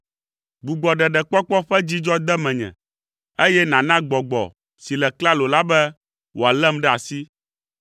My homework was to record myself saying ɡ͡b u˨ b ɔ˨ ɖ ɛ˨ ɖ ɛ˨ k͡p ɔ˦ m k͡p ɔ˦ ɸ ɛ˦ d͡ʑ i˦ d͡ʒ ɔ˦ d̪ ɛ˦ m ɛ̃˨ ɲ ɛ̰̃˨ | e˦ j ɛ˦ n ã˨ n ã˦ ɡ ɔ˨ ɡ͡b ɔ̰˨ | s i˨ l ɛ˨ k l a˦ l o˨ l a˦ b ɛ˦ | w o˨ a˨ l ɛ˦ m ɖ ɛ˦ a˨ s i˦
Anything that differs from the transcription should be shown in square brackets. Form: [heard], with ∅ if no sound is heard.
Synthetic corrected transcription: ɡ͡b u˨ [ɡ͡b] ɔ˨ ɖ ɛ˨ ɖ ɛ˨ k͡p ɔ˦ [∅] k͡p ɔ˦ ɸ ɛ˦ d͡ʑ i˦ d͡ʒ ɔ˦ d̪ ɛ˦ m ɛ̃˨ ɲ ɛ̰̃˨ | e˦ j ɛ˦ n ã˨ n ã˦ [ɡ͡b] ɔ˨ ɡ͡b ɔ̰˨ | s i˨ l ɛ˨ k l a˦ l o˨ l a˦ b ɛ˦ | w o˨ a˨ l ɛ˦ m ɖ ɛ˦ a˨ s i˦